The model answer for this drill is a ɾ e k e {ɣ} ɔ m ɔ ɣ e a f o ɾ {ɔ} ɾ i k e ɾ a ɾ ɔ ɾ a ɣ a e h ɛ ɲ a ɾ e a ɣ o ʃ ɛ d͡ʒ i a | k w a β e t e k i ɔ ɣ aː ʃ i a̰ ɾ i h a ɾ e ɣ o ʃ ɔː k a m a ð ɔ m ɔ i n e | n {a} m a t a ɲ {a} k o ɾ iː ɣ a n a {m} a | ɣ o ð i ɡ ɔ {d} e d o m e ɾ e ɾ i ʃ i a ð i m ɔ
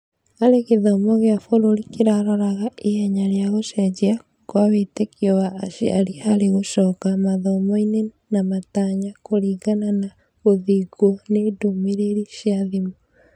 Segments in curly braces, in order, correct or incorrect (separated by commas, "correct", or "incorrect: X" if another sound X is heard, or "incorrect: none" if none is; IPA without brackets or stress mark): incorrect: ð, incorrect: o, correct, correct, incorrect: n, incorrect: n